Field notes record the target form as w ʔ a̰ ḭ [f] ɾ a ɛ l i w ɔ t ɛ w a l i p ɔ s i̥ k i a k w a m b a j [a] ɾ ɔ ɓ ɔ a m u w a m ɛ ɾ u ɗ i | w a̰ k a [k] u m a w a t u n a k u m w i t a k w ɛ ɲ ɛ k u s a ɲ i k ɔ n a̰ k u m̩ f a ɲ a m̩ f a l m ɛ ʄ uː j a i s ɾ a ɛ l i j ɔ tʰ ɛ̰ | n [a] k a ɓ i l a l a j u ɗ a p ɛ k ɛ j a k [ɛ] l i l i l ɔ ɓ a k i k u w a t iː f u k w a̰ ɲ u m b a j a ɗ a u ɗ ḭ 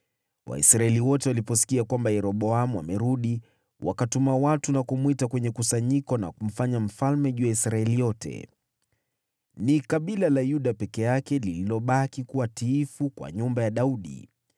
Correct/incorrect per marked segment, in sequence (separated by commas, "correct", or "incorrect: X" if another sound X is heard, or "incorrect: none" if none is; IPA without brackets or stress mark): incorrect: s, incorrect: ɛ, incorrect: t, incorrect: i, correct